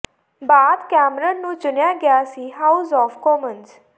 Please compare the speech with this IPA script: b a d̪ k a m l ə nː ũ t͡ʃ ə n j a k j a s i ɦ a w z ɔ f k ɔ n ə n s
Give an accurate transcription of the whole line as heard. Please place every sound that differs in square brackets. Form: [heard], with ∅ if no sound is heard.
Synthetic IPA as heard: b a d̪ k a m [ɾ] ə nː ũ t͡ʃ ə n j a [ɡ] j a s i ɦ a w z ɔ f k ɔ [m] ə n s